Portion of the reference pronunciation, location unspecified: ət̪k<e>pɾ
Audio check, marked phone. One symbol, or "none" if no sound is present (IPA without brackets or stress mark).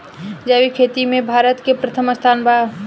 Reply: e